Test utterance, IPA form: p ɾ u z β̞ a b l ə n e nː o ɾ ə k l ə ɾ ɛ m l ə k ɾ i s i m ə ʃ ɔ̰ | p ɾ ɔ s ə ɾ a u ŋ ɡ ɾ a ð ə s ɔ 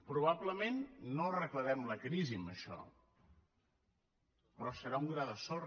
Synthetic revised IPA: p ɾ u β̞ a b l ə m e nː o r ə k l ə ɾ ɛ m l ə k ɾ i z i m ə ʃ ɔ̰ | p ɾ ɔ s ə ɾ a u ŋ ɡ ɾ a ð ə s ɔ